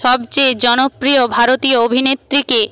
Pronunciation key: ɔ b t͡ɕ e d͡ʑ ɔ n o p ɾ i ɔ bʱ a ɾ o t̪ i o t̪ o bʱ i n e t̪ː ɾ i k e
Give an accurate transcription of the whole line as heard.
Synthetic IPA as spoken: ɔ b t͡ɕ e d͡ʑ ɔ n o p ɾ i o bʱ a ɾ o t̪ i o o bʱ i n e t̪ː ɾ i k e

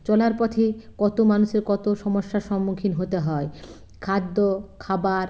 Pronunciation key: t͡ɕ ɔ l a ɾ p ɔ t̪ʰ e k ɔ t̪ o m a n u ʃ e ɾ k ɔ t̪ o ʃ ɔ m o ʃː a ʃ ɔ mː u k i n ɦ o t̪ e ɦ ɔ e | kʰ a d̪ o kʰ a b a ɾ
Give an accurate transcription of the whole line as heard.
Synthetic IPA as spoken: t͡ɕ ɔ l a ɾ p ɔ t̪ʰ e k ɔ t̪ o m a n u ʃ e ɾ k ɔ t̪ o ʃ ɔ m o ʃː a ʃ ɔ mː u kʰ i n ɦ o t̪ e ɦ ɔ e | kʰ a d̪ː o kʰ a b a ɾ

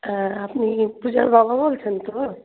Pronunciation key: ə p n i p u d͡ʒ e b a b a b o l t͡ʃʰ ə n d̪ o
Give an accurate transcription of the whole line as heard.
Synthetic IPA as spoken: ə p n i p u d͡ʒ a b a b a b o l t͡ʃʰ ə n t̪ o

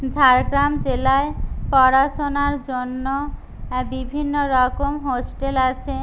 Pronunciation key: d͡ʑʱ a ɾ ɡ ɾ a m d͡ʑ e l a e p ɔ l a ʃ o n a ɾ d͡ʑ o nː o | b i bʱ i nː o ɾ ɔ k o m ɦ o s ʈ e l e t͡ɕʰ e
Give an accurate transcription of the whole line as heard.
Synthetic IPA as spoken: d͡ʑʱ a ɾ ɡ ɾ a m d͡ʑ e l a e p ɔ ɾ a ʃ o n a ɾ d͡ʑ o nː o | b i bʱ i nː o ɾ ɔ k o m ɦ o s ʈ e l a t͡ɕʰ e

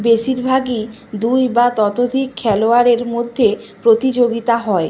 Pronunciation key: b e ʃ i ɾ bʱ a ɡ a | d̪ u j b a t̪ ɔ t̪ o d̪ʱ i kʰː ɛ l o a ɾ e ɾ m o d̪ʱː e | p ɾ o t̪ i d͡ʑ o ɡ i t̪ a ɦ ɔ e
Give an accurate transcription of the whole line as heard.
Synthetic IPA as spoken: b e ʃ i ɾ bʱ a ɡ i | d̪ u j b a t̪ ɔ t̪ o d̪ʱ i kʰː ɛ l o a ɾ e ɾ m o d̪ʱː e | p ɾ o t̪ i d͡ʑ o ɡ i t̪ a ɦ ɔ e

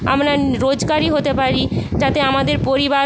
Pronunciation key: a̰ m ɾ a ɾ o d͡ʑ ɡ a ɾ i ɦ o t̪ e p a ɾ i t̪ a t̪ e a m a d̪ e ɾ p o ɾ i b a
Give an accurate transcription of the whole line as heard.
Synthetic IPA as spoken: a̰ m ɾ a ɾ o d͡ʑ ɡ a ɾ i ɦ o t̪ e p a ɾ i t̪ a t̪ e a m a d̪ e ɾ p o ɾ i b a

